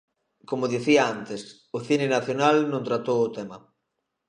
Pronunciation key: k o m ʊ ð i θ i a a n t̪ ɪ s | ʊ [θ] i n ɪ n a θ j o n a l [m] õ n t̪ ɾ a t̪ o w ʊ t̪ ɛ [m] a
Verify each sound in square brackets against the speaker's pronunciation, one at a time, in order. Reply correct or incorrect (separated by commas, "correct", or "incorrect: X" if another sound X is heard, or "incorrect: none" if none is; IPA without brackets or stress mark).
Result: correct, incorrect: n, correct